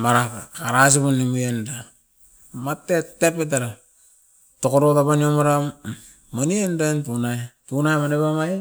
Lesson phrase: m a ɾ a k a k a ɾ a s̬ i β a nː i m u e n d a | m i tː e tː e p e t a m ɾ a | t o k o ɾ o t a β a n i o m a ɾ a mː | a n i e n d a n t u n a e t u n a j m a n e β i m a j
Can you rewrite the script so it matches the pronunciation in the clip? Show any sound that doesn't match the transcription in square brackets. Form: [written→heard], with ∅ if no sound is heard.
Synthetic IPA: m a ɾ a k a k a ɾ a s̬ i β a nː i m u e n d a | m [i→a] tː e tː e p e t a [m→∅] ɾ a | t o k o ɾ o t a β a n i o m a ɾ a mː | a n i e n d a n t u n a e t u n a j m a n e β [i→a] m a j